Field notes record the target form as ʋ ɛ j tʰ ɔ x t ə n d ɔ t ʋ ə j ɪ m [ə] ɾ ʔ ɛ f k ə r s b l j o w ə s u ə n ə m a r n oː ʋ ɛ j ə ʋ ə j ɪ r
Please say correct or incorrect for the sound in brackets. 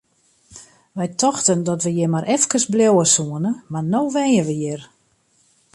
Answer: incorrect